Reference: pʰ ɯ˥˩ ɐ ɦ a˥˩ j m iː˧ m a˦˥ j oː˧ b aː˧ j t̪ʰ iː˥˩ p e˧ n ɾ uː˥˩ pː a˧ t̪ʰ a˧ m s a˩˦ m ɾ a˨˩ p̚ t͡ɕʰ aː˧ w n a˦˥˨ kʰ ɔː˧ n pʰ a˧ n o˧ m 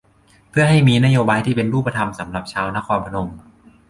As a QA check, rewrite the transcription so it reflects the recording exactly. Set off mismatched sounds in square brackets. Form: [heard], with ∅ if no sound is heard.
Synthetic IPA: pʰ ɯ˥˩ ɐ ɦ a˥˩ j m iː˧ [n] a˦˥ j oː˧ b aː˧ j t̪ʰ iː˥˩ p e˧ n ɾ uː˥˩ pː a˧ t̪ʰ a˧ m s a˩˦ m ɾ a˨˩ p̚ t͡ɕʰ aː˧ w n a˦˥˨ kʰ ɔː˧ n pʰ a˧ n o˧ m